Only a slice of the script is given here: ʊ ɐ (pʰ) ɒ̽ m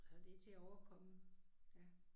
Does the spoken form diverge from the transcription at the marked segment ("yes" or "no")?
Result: yes